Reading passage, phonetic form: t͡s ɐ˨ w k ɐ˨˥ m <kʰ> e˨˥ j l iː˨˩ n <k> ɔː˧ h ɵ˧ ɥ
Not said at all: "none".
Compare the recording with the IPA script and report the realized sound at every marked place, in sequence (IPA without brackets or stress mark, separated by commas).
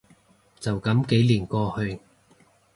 k, k